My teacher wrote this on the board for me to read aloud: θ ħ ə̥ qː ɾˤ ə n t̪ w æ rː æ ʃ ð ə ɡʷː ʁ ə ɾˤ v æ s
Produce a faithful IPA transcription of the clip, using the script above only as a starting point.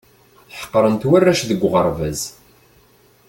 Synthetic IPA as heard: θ ħ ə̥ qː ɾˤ ə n t̪ w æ rː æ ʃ ð ə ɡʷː ʁ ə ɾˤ v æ z